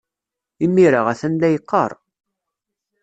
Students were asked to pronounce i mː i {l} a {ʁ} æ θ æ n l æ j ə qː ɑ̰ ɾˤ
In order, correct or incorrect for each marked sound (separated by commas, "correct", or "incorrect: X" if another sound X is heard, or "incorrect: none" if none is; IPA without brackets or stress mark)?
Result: incorrect: ɾ, correct